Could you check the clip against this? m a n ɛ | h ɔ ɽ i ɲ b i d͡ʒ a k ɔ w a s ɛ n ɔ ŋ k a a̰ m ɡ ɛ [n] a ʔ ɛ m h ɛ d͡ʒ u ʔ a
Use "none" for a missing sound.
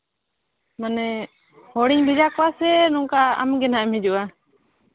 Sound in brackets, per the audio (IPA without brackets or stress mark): n